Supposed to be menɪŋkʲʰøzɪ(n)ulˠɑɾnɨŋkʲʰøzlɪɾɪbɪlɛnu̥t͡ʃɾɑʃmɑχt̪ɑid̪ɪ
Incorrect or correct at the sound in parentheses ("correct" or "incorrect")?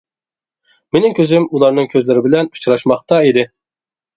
incorrect